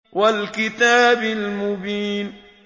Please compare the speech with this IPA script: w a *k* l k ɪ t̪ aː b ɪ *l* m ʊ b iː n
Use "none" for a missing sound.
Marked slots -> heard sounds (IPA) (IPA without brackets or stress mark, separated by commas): none, l